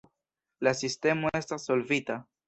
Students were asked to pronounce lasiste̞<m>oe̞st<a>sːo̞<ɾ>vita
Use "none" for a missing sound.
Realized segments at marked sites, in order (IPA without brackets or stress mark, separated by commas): m, a, l